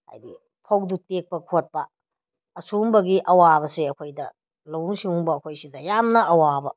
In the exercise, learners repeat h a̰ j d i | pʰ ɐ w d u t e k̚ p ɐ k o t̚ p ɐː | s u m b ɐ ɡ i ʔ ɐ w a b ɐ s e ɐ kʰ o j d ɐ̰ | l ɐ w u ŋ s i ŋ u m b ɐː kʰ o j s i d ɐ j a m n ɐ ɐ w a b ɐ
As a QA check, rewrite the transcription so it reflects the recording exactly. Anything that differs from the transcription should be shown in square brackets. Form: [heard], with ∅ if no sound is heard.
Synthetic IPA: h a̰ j d i | pʰ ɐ w d u t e k̚ p ɐ [kʰ] o t̚ p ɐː | s u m b ɐ ɡ i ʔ ɐ w a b ɐ s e ɐ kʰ o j d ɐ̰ | l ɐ w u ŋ s i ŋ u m b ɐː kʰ o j s i d ɐ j a m n ɐ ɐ w a b ɐ